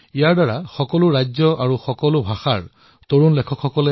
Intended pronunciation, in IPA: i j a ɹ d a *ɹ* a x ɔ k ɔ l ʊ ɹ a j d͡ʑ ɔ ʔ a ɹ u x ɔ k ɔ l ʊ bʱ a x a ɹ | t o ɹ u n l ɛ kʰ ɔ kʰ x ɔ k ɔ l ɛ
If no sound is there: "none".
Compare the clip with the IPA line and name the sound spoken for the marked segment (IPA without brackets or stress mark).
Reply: ɹ